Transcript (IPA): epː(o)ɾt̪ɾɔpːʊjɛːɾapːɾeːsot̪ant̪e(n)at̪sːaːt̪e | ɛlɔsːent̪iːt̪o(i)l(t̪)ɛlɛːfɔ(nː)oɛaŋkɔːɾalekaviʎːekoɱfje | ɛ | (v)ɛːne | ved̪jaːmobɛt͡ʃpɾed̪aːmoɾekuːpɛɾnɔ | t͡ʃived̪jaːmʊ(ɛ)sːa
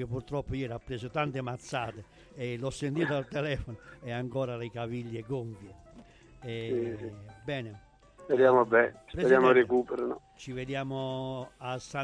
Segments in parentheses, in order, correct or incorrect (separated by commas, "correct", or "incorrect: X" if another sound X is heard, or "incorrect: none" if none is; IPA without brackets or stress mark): incorrect: u, incorrect: m, incorrect: a, correct, incorrect: n, incorrect: b, incorrect: a